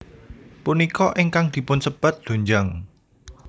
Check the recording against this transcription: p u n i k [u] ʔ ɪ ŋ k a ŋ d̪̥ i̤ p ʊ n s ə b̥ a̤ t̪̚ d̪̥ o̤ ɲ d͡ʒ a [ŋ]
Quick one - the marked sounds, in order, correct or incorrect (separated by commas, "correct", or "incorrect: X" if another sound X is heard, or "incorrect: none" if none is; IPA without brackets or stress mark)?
incorrect: ɔ, correct